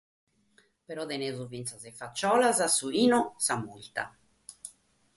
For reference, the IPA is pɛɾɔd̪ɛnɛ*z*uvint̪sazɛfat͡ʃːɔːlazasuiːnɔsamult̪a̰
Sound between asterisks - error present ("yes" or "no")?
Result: no